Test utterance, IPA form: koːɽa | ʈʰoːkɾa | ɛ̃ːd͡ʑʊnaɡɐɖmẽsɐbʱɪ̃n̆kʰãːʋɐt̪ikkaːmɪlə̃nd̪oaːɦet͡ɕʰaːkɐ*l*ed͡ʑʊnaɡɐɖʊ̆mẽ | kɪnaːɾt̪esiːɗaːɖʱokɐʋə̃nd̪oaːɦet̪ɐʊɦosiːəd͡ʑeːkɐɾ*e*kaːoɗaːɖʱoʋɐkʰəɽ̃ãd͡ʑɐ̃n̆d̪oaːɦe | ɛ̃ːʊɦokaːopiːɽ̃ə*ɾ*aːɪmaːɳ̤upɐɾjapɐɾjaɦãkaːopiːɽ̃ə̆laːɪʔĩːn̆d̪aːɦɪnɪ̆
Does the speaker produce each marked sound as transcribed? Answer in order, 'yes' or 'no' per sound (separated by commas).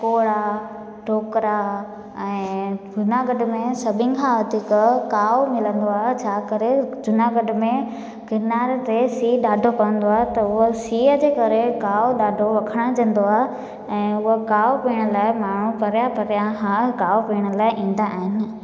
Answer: no, yes, no